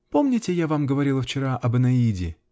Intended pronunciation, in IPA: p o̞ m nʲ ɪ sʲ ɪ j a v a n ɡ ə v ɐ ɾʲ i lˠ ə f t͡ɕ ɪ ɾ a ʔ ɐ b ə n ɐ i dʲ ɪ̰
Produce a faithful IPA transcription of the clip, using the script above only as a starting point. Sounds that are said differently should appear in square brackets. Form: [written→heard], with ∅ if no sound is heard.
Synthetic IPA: p o̞ m nʲ ɪ [sʲ→tʲ] ɪ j a v a [n→m] ɡ ə v ɐ ɾʲ i lˠ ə f t͡ɕ ɪ ɾ a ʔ ɐ b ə n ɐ i dʲ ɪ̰